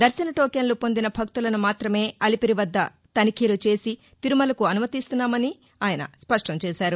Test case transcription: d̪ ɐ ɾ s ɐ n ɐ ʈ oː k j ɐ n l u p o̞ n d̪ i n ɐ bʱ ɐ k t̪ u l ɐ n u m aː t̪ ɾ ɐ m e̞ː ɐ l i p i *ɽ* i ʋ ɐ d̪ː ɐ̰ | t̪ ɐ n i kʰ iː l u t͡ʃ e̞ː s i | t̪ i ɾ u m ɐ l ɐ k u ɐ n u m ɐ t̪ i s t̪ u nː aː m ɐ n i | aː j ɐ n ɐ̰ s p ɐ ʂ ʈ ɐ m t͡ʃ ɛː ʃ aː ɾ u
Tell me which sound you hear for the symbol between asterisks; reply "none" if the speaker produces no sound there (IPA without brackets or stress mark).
ɾ